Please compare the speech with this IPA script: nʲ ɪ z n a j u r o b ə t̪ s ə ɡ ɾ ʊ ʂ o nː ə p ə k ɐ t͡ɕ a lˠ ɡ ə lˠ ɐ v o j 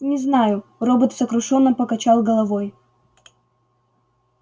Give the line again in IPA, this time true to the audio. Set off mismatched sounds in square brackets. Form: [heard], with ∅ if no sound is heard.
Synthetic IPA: nʲ ɪ z n a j [ʊ] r o b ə t̪ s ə [k] ɾ ʊ ʂ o nː ə p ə k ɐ t͡ɕ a lˠ ɡ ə lˠ ɐ v o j